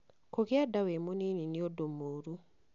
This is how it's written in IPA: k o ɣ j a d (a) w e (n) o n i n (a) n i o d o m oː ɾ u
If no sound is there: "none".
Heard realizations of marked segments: a, m, i

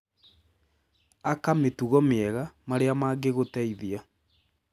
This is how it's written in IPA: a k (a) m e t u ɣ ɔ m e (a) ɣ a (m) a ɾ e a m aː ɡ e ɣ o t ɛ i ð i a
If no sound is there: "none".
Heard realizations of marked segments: a, ɛ, m

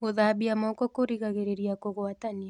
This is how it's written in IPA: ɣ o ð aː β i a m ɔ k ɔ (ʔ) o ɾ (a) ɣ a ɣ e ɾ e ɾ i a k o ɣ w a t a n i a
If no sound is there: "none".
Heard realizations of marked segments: k, i

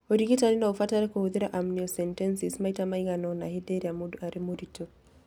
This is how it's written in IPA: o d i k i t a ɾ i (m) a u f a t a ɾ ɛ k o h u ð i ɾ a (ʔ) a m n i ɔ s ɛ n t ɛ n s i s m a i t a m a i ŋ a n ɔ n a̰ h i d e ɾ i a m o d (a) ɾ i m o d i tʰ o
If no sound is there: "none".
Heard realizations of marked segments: n, ʔ, a

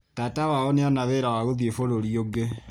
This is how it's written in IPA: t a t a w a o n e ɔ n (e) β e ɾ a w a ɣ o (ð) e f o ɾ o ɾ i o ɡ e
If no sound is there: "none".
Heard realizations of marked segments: a, ð

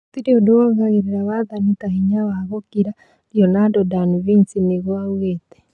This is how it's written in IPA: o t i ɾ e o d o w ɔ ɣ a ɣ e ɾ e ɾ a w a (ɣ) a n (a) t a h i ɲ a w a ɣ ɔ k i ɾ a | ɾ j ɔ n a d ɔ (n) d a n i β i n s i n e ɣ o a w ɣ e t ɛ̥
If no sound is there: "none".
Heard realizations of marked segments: ð, i, none

